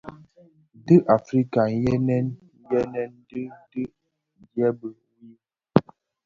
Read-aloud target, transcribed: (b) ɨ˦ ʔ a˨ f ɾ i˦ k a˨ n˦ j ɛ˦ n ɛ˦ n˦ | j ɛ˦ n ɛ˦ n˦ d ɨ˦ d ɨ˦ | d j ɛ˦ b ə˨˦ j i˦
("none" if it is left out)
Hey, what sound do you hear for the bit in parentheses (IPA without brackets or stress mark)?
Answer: d